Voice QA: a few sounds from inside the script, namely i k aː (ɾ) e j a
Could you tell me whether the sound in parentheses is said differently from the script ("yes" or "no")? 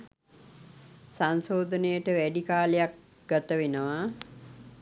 yes